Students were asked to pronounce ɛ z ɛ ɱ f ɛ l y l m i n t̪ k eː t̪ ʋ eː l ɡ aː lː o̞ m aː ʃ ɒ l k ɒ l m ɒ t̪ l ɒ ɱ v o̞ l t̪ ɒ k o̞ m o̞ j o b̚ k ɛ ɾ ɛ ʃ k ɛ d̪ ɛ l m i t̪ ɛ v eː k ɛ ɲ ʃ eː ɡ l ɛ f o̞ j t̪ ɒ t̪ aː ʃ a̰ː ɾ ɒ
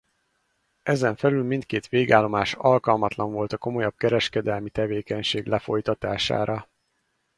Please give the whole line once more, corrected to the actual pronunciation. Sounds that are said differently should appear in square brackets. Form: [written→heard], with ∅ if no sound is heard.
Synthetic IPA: ɛ z ɛ ɱ f ɛ l y l m i n t̪ k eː t̪ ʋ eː [l→∅] ɡ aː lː o̞ m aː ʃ ɒ l k ɒ l m ɒ t̪ l ɒ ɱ v o̞ l t̪ ɒ k o̞ m o̞ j [o→ɒ] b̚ k ɛ ɾ ɛ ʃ k ɛ d̪ ɛ l m i t̪ ɛ v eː k ɛ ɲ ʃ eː ɡ l ɛ f o̞ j t̪ ɒ t̪ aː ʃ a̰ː ɾ ɒ